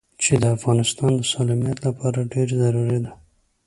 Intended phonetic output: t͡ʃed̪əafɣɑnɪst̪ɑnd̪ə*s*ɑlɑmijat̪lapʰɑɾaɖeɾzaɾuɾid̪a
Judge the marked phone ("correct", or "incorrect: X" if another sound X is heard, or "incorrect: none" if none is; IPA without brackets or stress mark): correct